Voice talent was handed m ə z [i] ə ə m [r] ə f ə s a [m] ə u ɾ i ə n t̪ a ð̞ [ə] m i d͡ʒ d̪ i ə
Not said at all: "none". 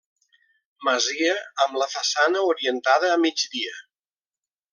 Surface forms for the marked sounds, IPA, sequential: i, l, n, əː

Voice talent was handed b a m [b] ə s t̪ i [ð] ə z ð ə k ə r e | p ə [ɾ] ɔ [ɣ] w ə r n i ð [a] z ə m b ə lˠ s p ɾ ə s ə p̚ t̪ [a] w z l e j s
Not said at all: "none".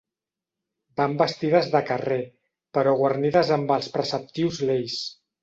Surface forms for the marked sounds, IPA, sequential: b, ð, ɾ, ɣ, ə, i

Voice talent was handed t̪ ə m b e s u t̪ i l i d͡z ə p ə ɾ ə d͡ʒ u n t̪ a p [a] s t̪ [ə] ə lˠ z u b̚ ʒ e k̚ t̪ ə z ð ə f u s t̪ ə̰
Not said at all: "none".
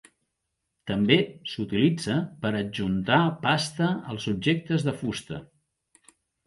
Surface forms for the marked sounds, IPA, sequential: a, ə

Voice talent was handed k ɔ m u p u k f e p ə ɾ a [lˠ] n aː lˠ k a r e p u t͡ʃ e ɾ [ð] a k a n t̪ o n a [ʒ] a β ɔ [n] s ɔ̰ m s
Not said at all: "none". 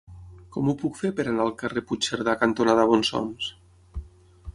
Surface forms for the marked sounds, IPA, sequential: none, ð, ð, n

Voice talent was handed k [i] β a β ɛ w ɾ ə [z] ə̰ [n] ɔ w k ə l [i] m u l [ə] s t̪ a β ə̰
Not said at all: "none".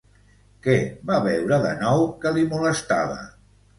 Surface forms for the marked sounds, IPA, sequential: ɛ, ð, n, i, ə

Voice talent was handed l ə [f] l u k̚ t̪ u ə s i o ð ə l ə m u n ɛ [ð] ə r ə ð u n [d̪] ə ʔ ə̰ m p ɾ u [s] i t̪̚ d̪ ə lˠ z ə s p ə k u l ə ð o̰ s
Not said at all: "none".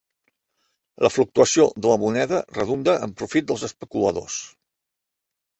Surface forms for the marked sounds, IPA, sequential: f, ð, d̪, f

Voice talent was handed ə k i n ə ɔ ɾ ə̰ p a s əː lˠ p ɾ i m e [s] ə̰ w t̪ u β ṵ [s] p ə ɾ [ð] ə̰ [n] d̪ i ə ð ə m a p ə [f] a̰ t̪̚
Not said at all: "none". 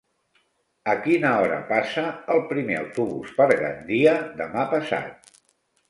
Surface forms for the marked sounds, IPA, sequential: none, s, ɣ, n, s

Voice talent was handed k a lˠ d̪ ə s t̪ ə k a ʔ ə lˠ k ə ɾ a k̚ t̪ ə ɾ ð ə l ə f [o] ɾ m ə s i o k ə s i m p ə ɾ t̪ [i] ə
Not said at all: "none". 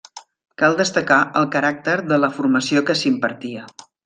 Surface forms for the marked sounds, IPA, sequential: u, i

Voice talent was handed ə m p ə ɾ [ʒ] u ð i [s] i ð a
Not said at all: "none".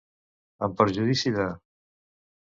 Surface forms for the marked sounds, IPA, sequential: ʒ, s

